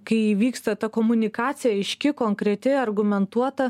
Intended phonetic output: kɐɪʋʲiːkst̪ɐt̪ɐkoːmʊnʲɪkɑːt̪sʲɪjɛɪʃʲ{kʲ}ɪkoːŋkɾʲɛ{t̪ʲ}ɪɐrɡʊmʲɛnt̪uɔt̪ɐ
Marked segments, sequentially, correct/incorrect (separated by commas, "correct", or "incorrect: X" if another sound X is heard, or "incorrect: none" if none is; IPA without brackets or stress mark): correct, correct